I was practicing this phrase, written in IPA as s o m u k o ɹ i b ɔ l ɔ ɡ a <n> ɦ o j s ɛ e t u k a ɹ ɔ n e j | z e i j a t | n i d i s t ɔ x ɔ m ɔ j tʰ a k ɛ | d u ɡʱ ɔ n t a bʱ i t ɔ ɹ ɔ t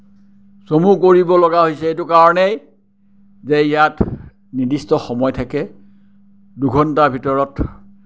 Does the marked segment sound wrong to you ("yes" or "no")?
yes